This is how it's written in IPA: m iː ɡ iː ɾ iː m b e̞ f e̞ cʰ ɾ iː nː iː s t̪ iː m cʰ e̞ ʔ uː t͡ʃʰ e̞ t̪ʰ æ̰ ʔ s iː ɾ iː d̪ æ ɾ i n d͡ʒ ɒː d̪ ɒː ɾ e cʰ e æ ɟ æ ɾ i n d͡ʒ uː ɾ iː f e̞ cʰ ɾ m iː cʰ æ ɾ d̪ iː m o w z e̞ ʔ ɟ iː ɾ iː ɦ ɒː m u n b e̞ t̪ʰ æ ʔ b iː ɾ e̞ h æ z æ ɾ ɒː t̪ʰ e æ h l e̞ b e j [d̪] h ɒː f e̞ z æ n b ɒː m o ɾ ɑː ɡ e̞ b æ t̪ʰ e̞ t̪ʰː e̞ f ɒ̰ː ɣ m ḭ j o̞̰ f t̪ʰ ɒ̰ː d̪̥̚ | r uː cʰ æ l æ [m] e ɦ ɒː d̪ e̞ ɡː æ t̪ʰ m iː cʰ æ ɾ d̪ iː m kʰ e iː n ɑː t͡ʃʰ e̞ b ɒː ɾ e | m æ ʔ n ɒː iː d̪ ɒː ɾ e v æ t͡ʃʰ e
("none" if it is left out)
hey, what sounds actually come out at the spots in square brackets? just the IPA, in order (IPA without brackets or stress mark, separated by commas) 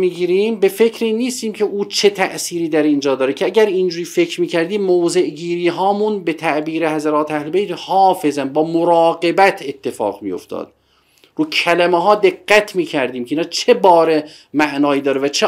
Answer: t̪, m